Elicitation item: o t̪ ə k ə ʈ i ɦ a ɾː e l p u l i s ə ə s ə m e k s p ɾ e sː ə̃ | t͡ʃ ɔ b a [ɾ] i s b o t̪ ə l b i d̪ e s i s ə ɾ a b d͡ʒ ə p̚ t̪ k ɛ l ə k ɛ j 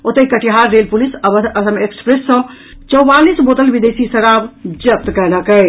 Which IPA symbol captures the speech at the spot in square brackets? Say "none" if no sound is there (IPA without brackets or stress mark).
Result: l